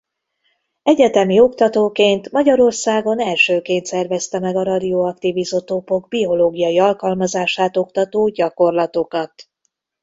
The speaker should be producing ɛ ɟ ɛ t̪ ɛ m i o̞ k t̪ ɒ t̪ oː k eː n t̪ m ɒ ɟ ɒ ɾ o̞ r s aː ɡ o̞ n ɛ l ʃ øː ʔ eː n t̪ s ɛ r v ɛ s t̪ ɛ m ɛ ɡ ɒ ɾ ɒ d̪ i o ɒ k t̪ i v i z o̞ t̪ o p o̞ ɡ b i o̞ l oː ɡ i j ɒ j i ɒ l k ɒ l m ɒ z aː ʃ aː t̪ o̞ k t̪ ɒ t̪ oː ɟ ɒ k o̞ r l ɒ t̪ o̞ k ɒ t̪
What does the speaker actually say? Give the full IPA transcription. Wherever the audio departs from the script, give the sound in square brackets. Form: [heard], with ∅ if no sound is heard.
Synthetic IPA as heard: ɛ ɟ ɛ t̪ ɛ m i o̞ k t̪ ɒ t̪ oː k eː n t̪ m ɒ ɟ ɒ ɾ o̞ r s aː ɡ o̞ n ɛ l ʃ øː [k] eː n t̪ s ɛ r v ɛ s t̪ ɛ m ɛ ɡ ɒ ɾ ɒ d̪ i o ɒ k t̪ i v i z o̞ t̪ o p o̞ ɡ b i o̞ l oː ɡ i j ɒ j i ɒ l k ɒ l m ɒ z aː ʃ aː t̪ o̞ k t̪ ɒ t̪ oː ɟ ɒ k o̞ r l ɒ t̪ o̞ k ɒ t̪